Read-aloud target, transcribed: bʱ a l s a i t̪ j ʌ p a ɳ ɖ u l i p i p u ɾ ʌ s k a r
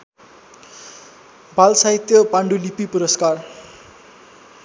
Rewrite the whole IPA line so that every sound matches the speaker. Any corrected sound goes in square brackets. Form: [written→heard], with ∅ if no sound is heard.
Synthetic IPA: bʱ a l s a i t̪ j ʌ p a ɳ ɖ u l i p i p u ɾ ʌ s k a r